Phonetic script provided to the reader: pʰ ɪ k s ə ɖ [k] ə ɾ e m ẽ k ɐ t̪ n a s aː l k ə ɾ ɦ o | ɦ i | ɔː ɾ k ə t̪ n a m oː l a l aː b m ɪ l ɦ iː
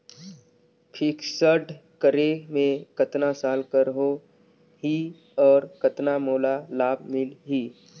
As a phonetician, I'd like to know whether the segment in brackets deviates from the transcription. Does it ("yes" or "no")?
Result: no